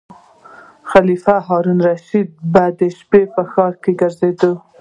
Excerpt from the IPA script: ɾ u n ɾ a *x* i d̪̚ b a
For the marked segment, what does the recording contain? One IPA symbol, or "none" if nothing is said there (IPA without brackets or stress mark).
ʃ